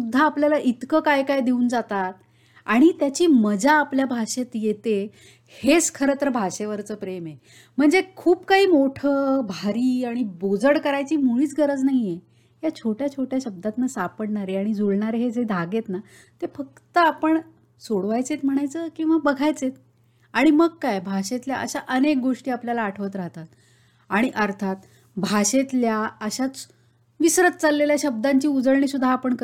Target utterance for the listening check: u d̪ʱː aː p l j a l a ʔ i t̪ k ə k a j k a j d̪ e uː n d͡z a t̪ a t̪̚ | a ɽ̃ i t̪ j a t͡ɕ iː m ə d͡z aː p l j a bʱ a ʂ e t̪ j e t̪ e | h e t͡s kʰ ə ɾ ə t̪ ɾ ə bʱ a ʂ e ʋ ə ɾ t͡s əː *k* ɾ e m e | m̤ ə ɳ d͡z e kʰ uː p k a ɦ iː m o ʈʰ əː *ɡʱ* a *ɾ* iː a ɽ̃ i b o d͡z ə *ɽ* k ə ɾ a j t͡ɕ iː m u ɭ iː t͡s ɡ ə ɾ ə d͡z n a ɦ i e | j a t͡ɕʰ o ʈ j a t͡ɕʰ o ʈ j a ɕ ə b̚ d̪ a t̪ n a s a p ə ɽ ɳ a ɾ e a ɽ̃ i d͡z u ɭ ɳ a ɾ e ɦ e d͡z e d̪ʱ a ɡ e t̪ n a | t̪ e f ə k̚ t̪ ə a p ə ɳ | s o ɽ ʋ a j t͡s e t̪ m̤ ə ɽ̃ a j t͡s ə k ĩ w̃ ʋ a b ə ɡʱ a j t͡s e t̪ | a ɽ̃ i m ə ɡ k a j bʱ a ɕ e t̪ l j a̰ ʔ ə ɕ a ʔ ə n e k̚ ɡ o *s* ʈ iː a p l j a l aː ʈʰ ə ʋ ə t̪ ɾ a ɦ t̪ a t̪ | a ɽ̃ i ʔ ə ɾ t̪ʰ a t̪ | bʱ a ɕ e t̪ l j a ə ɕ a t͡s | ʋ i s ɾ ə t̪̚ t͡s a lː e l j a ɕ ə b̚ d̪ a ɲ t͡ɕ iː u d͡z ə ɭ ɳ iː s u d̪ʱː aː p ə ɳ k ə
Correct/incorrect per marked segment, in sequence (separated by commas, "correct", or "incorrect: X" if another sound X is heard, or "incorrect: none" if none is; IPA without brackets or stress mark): incorrect: p, incorrect: bʱ, correct, correct, incorrect: ʂ